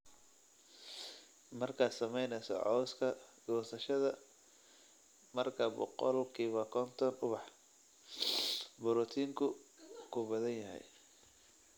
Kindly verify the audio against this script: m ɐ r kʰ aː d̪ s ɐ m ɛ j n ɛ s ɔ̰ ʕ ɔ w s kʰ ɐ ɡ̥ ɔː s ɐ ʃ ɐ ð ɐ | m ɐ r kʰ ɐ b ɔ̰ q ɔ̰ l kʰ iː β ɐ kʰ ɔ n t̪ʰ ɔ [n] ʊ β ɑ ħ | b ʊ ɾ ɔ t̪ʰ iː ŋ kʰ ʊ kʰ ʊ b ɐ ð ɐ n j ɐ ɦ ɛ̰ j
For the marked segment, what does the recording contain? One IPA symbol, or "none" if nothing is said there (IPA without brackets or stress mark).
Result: n